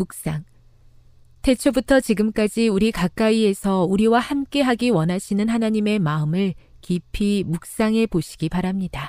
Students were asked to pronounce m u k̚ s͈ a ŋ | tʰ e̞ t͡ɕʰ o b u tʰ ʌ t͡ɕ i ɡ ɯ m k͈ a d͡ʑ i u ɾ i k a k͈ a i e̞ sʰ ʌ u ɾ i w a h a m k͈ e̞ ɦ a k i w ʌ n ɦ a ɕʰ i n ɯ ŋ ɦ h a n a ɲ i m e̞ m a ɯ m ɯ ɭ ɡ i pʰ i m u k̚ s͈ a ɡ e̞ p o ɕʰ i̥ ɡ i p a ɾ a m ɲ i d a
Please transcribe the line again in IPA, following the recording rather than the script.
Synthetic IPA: m u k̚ s͈ a ŋ | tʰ e̞ t͡ɕʰ o b u tʰ ʌ t͡ɕ i ɡ ɯ m k͈ a d͡ʑ i u ɾ i k a k͈ a i e̞ sʰ ʌ u ɾ i w a h a m k͈ e̞ ɦ a ɡ i w ʌ n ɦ a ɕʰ i n ɯ n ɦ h a n a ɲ i m e̞ m a ɯ m ɯ ɭ k i pʰ i m u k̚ s͈ a ŋ e̞ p o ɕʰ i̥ ɡ i p a ɾ a m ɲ i d a